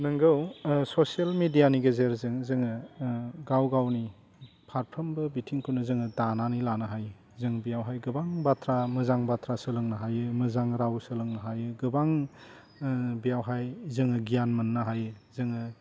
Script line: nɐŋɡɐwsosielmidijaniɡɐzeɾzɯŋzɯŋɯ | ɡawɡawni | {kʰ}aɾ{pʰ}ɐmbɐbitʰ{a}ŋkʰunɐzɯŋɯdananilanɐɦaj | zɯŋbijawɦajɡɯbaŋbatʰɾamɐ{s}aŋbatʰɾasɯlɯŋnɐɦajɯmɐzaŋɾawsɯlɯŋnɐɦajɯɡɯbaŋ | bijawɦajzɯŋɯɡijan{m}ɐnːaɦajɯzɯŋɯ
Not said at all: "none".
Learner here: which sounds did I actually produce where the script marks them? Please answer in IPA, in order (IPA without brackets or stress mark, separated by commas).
pʰ, pʰ, i, z, m